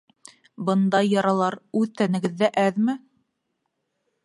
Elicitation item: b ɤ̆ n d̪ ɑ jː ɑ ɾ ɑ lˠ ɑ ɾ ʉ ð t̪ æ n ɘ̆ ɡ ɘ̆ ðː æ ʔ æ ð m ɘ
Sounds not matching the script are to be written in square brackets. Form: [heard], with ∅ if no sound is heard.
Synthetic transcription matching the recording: b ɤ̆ n d̪ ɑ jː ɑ ɾ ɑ lˠ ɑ ɾ ʉ ð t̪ æ n ɘ̆ ɡ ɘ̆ ðː æ ʔ æ ð m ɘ